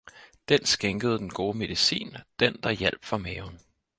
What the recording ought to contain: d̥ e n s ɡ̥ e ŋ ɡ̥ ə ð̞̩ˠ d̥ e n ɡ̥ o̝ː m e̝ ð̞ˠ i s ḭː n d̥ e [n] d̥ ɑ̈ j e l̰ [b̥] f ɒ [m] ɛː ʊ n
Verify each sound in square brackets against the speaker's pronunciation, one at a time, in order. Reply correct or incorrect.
correct, correct, correct

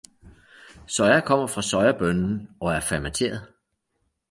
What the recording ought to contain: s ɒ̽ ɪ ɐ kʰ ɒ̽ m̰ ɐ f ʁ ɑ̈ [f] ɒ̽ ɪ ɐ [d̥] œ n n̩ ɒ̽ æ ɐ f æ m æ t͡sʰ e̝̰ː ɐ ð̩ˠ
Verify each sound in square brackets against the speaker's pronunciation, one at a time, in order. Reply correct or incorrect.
incorrect: s, incorrect: b̥

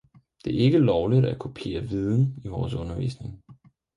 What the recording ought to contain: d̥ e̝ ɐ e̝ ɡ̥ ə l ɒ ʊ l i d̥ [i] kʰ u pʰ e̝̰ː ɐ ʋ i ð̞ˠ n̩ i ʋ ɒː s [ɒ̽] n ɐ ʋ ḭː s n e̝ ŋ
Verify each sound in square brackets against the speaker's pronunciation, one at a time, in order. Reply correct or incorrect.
incorrect: æ, incorrect: ɔ̽

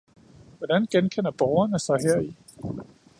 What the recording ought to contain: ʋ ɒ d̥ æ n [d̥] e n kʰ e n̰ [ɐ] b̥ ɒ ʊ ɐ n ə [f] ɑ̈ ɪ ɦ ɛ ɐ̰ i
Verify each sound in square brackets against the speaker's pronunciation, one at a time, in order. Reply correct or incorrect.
incorrect: ɡ̥, correct, incorrect: s

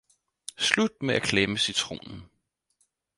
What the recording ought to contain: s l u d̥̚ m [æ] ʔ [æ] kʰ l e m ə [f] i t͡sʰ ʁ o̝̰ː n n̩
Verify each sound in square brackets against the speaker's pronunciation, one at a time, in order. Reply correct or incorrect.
incorrect: e, correct, incorrect: s

